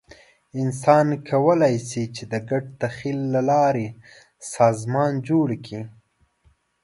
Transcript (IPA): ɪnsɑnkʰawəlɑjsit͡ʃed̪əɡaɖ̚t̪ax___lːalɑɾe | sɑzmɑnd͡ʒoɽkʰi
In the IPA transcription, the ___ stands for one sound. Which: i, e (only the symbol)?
i